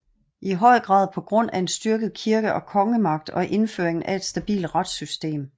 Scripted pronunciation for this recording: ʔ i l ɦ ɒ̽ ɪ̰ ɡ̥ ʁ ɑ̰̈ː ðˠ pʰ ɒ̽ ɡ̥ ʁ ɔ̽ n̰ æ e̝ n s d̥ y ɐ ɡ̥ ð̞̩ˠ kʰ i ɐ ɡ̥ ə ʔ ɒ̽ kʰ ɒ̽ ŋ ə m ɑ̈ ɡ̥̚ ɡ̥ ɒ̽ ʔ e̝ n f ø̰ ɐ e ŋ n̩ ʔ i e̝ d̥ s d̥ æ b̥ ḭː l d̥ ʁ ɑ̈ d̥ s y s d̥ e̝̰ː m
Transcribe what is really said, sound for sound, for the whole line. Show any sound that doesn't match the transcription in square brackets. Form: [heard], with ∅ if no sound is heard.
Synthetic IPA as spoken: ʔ i [∅] ɦ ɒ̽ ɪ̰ ɡ̥ ʁ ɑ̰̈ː ðˠ pʰ ɒ̽ ɡ̥ ʁ ɔ̽ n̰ æ e̝ n s d̥ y ɐ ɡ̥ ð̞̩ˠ kʰ i ɐ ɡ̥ ə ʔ ɒ̽ kʰ ɒ̽ ŋ ə m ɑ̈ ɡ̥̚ [d̥] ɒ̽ ʔ e̝ n f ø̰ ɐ e ŋ n̩ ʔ [æ] e̝ d̥ s d̥ æ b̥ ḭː l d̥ ʁ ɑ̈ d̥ s y s d̥ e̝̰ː m